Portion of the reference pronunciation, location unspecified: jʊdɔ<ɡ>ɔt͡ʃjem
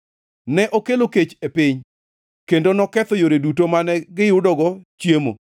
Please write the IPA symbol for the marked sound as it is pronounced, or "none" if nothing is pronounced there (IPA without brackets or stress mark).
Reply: ɡ